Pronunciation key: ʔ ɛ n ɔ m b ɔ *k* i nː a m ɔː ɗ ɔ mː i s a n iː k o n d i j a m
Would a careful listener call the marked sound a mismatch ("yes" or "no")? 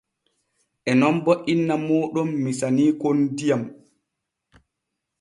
yes